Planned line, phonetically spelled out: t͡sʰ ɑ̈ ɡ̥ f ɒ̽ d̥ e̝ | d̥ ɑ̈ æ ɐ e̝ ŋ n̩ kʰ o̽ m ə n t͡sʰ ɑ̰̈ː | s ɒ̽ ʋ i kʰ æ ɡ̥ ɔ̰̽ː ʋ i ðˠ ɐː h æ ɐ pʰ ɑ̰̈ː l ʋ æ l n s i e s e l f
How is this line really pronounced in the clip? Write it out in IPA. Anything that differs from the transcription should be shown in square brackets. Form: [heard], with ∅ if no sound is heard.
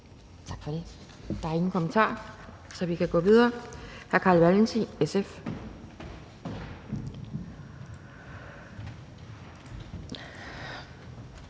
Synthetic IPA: t͡sʰ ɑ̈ ɡ̥ f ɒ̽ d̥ e̝ | d̥ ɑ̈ æ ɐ e̝ ŋ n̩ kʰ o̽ m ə n t͡sʰ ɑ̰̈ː | s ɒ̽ ʋ i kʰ æ ɡ̥ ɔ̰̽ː ʋ i ðˠ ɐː h æ ɐ [kʰ] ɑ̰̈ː l ʋ æ l n s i e s e [∅] f

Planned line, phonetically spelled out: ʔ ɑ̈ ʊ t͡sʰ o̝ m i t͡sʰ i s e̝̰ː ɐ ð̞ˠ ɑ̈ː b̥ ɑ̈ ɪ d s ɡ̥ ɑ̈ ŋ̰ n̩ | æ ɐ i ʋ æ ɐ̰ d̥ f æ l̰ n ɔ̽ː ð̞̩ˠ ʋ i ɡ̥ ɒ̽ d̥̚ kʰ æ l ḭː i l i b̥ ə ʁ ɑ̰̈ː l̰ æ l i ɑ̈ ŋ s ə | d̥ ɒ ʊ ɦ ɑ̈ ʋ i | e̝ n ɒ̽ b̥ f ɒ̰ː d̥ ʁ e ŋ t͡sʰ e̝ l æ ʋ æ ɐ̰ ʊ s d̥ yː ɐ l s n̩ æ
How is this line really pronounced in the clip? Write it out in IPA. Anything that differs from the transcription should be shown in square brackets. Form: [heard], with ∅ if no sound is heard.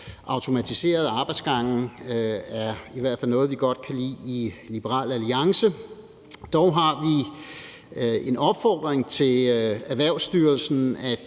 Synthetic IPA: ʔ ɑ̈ ʊ t͡sʰ o̝ m [æ] t͡sʰ i s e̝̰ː ɐ ð̞ˠ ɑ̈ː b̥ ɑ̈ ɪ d s ɡ̥ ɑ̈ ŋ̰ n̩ | æ ɐ i ʋ æ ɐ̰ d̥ f æ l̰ n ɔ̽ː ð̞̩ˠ ʋ i ɡ̥ ɒ̽ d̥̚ kʰ æ l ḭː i l i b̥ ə ʁ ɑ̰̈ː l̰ æ l i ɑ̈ ŋ s ə | d̥ ɒ ʊ ɦ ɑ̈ ʋ i | e̝ n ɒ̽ b̥ f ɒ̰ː d̥ ʁ e ŋ t͡sʰ e̝ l æ ʋ æ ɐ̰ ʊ s d̥ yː ɐ l s n̩ æ

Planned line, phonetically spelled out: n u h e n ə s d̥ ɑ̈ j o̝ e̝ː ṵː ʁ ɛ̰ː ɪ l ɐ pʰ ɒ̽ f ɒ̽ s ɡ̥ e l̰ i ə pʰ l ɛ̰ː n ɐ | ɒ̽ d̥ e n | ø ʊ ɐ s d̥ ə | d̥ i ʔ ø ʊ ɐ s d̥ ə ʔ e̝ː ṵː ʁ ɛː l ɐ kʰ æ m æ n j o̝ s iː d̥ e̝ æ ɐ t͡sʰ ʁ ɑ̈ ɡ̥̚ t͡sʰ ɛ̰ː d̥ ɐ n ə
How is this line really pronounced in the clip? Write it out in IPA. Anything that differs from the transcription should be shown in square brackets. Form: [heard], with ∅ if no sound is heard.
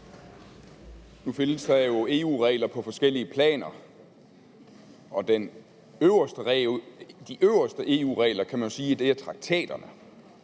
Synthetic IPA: n u [f] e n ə s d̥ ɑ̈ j o̝ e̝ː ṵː ʁ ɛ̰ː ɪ l ɐ pʰ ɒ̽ f ɒ̽ s ɡ̥ e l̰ i ə pʰ l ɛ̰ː n ɐ | ɒ̽ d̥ e n | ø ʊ ɐ s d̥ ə | d̥ i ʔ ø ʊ ɐ s d̥ ə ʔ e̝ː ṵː ʁ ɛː l ɐ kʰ æ m æ n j o̝ s iː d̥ e̝ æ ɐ t͡sʰ ʁ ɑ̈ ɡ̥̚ t͡sʰ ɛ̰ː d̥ ɐ n ə

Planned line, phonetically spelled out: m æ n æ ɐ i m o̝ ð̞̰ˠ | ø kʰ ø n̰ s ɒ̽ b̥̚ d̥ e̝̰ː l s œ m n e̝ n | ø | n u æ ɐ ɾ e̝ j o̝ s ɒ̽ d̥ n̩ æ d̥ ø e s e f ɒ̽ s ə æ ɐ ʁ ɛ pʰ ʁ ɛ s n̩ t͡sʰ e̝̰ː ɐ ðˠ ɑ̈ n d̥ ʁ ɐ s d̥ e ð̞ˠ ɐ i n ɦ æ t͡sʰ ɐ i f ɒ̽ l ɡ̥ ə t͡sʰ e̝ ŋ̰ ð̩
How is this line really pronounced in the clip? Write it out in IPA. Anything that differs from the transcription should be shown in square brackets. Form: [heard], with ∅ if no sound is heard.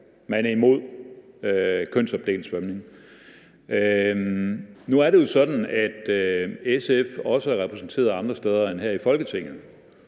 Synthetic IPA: m æ n æ ɐ i m o̝ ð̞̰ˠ | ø kʰ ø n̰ s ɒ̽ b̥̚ d̥ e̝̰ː l s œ m n e̝ [ŋ] | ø | n u æ ɐ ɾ e̝ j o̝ s ɒ̽ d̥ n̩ æ d̥ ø e s e f ɒ̽ s ə æ ɐ ʁ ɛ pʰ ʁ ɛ s n̩ t͡sʰ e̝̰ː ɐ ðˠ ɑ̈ n d̥ ʁ ɐ s d̥ e ð̞ˠ ɐ [e] n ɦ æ [∅] ɐ i f ɒ̽ l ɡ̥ ə t͡sʰ e̝ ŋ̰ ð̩

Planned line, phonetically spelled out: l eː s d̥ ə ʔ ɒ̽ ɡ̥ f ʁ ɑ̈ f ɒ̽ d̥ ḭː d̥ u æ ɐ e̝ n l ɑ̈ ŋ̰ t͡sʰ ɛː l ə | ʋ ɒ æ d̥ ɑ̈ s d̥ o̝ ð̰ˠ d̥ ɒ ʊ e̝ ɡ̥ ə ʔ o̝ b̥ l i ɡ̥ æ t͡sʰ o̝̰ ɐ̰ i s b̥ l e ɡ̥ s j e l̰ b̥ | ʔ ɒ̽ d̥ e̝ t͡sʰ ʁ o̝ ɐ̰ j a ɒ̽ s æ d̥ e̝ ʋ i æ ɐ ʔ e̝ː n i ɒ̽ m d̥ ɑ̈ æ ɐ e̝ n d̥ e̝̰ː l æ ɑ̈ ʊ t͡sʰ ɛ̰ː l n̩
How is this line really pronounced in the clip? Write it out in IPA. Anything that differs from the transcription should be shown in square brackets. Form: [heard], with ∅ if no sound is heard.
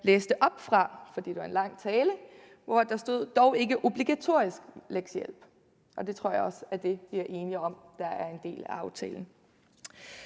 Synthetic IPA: l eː s d̥ ə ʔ ɒ̽ [b̥] f ʁ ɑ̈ f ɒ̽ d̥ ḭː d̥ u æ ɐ e̝ n l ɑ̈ ŋ̰ t͡sʰ ɛː l ə | ʋ ɒ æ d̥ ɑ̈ s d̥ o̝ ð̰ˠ d̥ ɒ ʊ e̝ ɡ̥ ə ʔ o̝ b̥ l i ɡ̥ æ t͡sʰ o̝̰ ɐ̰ i s [ɡ̥] l e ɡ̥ s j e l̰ b̥ | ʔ ɒ̽ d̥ e̝ t͡sʰ ʁ o̝ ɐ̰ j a ɒ̽ s æ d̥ e̝ ʋ i æ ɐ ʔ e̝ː n i ɒ̽ m d̥ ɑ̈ æ ɐ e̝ n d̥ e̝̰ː l æ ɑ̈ ʊ t͡sʰ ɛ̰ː l n̩

